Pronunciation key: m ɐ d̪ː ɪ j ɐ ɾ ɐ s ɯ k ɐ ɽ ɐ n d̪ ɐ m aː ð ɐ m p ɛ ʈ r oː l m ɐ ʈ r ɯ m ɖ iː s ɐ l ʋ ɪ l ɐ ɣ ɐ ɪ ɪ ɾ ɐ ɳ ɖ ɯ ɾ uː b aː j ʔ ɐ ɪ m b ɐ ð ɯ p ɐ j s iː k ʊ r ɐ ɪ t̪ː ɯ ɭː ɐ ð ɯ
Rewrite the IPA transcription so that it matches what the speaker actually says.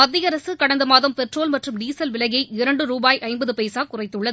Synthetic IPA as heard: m ɐ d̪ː ɪ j ɐ ɾ ɐ s ɯ k ɐ ɽ ɐ n d̪ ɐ m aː ð ɐ m p ɛ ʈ r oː l m ɐ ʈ r ɯ m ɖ iː s ɐ l ʋ ɪ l ɐ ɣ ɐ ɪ ɪ ɾ ɐ ɳ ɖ ɯ ɾ uː b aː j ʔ ɐ ɪ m b ɐ ð ɯ p ɐ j s aː k ʊ r ɐ ɪ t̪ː ɯ ɭː ɐ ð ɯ